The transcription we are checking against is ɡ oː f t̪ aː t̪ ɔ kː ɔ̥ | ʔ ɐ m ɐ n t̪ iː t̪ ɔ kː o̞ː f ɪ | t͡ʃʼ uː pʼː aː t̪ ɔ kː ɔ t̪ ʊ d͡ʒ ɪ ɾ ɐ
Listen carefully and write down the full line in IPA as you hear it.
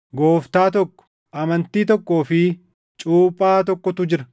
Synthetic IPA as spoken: ɡ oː f t̪ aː t̪ ɔ kː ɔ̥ | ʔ ɐ m ɐ n t̪ iː t̪ ɔ kː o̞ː f ɪ | t͡ʃʼ uː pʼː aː t̪ ɔ kː ɔ t̪ ʊ d͡ʒ ɪ ɾ ɐ